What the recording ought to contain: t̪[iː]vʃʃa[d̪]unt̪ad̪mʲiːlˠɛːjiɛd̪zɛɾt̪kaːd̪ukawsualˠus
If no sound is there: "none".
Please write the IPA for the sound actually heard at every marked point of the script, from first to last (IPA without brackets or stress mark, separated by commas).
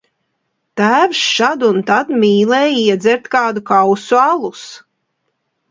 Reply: æː, d̪